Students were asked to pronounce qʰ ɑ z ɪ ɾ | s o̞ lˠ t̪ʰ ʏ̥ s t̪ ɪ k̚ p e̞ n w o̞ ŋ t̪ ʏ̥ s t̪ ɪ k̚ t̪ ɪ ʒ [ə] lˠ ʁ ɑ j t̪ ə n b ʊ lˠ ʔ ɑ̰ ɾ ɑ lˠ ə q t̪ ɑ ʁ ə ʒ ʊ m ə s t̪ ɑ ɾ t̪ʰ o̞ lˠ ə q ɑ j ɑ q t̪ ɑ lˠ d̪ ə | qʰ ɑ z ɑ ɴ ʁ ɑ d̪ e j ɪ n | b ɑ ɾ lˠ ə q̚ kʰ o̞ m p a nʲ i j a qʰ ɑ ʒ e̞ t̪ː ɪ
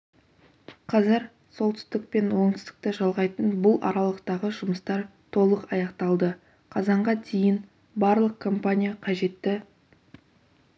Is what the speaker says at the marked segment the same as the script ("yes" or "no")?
no